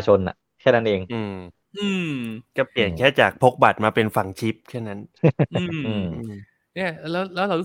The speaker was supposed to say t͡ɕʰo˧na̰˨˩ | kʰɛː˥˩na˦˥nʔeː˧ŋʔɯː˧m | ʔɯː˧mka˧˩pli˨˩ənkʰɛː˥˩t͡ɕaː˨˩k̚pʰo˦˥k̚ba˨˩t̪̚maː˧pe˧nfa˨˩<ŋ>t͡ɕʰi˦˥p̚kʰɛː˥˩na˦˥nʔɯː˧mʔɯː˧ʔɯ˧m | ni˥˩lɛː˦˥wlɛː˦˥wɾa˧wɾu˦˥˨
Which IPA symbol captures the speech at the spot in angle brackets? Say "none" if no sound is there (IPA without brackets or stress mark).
ŋ